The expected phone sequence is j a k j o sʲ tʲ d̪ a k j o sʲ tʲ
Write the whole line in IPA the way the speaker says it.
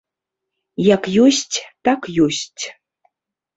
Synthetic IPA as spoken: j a k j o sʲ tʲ t̪ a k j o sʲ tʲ